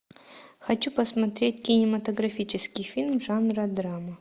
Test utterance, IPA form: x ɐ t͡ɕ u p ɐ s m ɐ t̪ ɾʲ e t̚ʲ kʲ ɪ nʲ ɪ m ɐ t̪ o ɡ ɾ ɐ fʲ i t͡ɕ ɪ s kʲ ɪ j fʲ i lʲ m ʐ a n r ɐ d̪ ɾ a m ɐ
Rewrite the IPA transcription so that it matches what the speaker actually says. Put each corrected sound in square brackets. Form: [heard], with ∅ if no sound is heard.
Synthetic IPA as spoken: x ɐ t͡ɕ u p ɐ s m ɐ t̪ ɾʲ e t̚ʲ kʲ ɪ nʲ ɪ m ɐ t̪ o ɡ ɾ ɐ fʲ i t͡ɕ ɪ s kʲ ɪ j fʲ i lʲ m ʐ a n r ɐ d̪ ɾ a m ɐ